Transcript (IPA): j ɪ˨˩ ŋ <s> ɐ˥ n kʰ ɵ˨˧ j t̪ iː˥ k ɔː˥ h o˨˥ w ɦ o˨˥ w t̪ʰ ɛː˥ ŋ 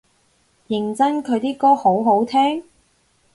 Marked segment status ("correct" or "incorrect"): incorrect